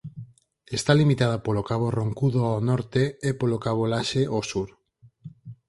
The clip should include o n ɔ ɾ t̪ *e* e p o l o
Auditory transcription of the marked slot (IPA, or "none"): e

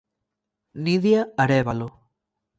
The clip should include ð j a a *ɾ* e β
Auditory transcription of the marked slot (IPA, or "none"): ɾ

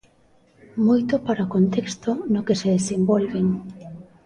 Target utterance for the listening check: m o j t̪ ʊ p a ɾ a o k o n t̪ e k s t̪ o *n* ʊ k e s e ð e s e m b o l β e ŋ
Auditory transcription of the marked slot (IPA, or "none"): n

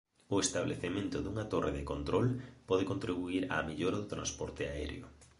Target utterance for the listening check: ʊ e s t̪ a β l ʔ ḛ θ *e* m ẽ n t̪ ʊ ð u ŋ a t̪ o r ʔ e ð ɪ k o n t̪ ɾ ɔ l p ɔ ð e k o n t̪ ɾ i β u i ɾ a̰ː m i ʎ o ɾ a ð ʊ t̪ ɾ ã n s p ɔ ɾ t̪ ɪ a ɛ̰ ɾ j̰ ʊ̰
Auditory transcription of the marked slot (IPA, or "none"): e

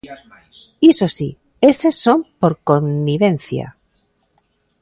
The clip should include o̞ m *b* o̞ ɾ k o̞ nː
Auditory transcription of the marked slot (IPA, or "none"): p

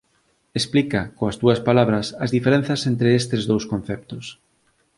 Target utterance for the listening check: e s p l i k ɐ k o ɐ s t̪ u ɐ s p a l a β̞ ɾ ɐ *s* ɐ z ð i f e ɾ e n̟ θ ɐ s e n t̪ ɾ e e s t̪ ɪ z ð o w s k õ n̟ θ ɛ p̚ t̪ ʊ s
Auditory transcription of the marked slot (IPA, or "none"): s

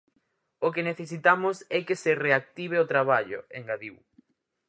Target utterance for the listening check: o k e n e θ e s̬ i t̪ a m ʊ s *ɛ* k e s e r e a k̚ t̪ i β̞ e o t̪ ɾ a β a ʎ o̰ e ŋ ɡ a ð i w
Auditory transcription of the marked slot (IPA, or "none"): ɛ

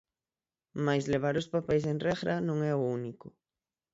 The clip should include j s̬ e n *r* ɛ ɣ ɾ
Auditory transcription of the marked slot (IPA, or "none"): r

